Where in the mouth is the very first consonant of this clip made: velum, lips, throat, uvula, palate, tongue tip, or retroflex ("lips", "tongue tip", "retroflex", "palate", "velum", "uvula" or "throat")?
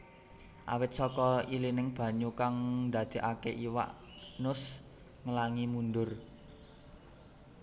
throat